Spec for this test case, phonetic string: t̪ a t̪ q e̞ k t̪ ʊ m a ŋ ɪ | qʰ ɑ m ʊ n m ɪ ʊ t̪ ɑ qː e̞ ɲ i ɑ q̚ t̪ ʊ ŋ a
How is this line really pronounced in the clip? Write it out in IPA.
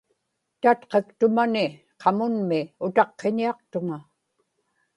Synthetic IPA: t̪ a t̪ q e̞ k t̪ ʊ m a n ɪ | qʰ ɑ m ʊ n m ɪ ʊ t̪ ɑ qː e̞ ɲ i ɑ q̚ t̪ ʊ ŋ a